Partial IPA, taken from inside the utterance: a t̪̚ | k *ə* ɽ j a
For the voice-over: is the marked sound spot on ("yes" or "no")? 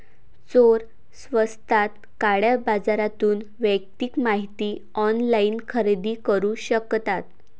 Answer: no